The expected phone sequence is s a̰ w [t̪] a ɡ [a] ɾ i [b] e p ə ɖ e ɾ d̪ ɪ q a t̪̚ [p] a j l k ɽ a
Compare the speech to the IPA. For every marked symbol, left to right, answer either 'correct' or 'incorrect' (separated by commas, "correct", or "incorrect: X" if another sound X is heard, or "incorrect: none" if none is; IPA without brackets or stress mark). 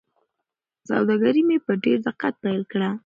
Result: incorrect: d̪, correct, incorrect: m, correct